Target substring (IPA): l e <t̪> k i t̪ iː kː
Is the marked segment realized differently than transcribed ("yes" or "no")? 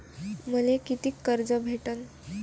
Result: yes